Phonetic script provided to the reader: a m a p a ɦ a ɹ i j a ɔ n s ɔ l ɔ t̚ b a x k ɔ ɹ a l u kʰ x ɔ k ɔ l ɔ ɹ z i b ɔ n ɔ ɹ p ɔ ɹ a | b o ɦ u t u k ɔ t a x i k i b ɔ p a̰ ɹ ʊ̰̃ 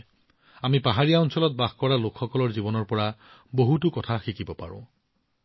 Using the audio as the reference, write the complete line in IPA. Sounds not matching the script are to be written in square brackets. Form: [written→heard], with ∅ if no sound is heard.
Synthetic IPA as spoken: a m [a→i] p a ɦ a ɹ i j a ɔ n s ɔ l ɔ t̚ b a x k ɔ ɹ a l [u→o] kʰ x ɔ k ɔ l ɔ ɹ z i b ɔ n ɔ ɹ p ɔ ɹ a | b o ɦ u t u k ɔ [t→tʰ] a x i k i b ɔ p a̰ ɹ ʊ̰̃